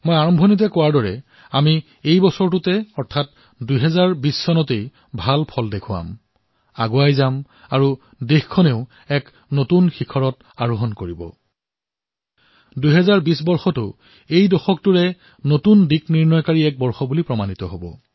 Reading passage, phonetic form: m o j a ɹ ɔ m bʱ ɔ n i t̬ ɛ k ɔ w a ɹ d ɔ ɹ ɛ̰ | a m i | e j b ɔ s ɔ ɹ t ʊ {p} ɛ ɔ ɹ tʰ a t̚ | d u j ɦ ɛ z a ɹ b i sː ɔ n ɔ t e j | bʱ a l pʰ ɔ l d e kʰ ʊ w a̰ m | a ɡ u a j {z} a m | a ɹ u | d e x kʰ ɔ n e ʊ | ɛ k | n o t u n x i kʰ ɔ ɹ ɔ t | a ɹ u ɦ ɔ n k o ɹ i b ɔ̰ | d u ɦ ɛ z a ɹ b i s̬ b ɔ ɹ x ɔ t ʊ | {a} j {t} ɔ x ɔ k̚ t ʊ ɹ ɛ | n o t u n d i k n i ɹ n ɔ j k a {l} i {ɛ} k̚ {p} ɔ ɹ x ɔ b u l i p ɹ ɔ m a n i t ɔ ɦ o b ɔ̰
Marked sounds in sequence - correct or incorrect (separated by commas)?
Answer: incorrect, correct, incorrect, incorrect, incorrect, correct, incorrect